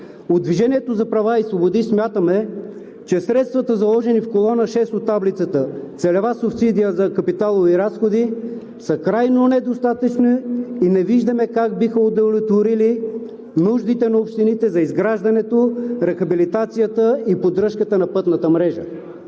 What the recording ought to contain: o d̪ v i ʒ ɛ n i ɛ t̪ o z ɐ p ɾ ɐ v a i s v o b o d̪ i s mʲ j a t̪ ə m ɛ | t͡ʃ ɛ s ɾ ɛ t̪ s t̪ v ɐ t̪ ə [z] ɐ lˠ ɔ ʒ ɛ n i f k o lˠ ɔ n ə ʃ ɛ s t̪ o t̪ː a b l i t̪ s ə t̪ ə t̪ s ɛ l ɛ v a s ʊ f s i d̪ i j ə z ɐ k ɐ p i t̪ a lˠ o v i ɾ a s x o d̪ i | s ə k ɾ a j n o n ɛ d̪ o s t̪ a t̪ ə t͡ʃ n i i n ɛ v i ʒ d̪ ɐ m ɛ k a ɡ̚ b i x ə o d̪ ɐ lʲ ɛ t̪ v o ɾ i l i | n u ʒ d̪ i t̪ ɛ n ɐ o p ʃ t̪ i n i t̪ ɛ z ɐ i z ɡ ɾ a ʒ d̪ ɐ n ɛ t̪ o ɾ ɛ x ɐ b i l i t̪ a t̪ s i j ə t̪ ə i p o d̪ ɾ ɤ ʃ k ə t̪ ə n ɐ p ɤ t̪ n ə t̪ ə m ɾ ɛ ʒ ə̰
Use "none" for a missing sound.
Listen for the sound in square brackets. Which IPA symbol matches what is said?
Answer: z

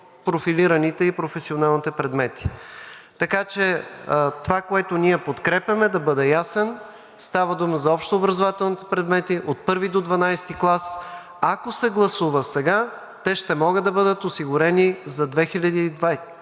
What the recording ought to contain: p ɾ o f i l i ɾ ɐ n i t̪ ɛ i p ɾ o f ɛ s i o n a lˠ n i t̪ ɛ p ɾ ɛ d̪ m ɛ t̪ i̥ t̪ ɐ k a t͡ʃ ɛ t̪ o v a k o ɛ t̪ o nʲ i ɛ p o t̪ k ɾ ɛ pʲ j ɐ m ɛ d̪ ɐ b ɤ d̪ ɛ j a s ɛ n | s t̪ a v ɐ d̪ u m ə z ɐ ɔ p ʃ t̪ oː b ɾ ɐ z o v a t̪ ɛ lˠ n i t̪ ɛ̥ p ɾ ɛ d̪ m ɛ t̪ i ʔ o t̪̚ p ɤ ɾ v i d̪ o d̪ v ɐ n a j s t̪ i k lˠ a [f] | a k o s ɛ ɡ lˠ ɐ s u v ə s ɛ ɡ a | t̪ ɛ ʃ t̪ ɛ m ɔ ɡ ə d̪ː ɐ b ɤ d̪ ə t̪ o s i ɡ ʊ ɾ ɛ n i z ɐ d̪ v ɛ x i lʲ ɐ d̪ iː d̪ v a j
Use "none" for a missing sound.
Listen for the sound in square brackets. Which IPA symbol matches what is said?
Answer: s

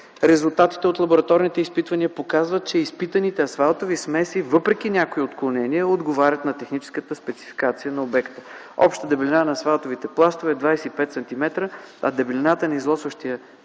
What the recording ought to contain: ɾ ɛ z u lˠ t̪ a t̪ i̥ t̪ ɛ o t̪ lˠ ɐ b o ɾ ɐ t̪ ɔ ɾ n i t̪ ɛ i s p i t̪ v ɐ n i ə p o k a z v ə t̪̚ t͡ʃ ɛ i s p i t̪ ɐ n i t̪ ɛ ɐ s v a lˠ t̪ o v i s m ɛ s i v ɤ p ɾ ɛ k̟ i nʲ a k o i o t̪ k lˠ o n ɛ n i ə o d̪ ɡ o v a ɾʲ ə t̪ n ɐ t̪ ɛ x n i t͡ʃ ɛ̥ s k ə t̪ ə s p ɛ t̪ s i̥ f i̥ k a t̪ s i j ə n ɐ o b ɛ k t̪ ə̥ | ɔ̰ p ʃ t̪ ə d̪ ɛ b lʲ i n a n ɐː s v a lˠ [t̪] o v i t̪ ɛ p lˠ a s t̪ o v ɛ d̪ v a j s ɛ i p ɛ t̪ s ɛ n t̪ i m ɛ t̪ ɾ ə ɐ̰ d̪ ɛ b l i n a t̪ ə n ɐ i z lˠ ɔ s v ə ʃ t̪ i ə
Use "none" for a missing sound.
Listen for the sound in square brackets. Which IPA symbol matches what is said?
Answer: t̪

